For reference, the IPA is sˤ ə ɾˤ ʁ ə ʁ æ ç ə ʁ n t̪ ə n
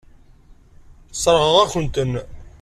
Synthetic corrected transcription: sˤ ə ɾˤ ʁ ə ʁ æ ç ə n t̪ ə n